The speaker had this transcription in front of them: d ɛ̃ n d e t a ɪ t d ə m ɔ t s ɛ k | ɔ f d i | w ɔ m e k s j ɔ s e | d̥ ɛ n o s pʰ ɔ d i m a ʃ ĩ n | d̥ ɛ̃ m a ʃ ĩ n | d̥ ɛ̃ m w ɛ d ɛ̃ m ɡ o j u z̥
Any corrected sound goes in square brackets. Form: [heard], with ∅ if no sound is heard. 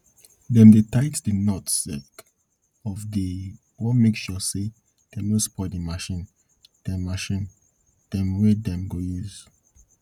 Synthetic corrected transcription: d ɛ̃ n d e t a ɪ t d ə [n] ɔ t s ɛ k | ɔ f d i | w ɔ m e k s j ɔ s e | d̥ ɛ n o s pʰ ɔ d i m a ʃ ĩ n | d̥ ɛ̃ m a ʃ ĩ n | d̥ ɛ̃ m w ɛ d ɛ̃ m ɡ o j u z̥